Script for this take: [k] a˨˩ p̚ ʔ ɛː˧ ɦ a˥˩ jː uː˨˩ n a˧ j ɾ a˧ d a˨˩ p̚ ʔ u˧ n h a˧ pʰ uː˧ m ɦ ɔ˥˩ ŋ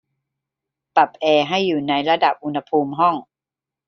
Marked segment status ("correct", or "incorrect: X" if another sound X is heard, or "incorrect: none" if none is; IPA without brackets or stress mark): incorrect: p